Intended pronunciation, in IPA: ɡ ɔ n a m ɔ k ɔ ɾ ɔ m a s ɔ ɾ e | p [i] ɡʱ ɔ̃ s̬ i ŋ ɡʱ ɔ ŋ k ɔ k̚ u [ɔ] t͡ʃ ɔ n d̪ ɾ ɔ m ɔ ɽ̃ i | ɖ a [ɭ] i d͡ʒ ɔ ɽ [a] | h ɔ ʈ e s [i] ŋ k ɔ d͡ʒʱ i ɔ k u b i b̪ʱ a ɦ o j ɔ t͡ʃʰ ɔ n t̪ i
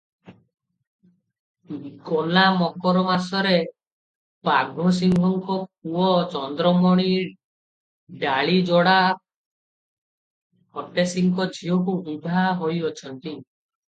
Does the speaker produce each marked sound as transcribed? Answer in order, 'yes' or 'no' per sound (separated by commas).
no, yes, yes, yes, yes